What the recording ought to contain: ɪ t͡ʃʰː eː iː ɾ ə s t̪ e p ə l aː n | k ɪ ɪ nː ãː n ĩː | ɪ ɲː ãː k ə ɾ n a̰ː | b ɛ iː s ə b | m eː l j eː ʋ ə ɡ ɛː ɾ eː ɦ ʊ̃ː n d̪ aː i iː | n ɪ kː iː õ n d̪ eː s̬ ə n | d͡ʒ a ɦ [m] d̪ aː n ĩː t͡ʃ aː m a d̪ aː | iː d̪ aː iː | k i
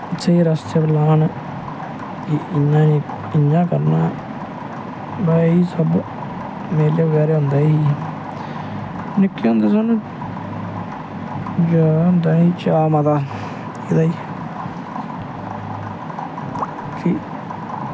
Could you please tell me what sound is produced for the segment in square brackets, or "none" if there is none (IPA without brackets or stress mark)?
n